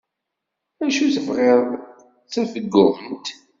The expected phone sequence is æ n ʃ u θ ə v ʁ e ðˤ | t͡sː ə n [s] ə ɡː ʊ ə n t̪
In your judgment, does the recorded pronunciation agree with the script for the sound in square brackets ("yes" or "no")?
no